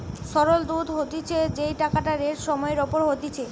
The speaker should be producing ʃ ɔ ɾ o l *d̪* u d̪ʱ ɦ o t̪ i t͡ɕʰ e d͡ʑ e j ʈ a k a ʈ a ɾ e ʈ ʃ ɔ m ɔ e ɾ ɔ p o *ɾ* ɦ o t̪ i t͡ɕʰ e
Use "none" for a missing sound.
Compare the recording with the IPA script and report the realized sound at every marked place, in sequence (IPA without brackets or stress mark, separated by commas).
d̪, ɾ